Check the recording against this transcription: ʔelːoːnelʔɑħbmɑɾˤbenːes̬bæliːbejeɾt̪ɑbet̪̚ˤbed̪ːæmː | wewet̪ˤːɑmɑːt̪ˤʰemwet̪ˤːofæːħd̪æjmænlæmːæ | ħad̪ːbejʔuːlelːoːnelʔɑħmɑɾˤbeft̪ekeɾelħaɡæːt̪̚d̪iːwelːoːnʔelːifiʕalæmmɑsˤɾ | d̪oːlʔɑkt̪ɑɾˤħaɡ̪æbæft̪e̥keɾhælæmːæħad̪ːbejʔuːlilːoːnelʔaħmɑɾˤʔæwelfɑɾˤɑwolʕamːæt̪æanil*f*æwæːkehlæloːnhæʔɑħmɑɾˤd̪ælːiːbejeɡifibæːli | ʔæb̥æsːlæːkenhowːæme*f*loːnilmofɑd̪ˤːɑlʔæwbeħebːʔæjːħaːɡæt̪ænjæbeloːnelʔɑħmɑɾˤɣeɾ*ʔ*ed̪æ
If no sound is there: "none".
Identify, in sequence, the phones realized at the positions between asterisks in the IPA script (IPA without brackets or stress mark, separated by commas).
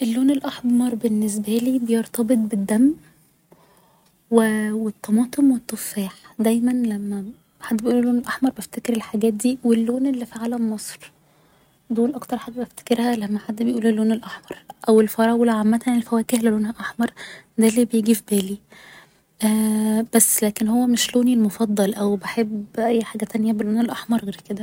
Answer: f, ʃ, k